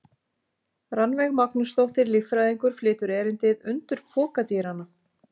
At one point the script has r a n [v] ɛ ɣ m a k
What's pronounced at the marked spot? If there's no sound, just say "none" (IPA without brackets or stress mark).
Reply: v